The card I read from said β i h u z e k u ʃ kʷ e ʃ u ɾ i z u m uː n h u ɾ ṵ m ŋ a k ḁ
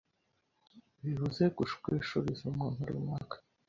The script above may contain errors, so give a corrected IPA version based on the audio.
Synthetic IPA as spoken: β i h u z e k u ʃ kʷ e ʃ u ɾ i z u m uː n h u ɾ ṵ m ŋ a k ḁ